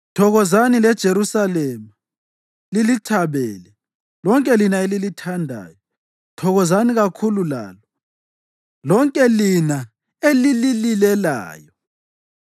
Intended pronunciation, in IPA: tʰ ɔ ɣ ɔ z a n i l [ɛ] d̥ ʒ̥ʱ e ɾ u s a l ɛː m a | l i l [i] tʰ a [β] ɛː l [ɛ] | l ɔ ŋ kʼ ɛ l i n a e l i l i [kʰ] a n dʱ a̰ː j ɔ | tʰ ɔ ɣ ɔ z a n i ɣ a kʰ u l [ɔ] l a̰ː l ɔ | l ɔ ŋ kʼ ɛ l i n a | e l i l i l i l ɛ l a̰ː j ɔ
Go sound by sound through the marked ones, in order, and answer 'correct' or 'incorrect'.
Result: correct, correct, correct, correct, incorrect: tʰ, incorrect: u

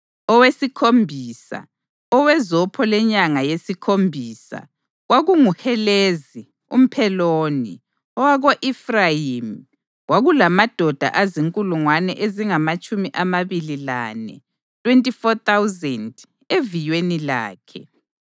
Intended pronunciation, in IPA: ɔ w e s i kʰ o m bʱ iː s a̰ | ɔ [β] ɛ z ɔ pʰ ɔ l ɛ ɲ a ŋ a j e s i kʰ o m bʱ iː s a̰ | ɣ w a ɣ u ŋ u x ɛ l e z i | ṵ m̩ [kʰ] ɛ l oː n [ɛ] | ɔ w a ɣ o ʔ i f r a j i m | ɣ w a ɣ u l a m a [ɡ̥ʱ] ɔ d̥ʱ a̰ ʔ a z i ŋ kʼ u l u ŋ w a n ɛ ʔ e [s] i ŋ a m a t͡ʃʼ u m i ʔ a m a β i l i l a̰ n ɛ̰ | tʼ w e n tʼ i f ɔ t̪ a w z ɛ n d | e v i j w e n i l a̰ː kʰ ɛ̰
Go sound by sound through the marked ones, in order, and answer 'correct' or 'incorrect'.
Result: incorrect: w, incorrect: pʰ, incorrect: i, incorrect: d̥ʱ, incorrect: z

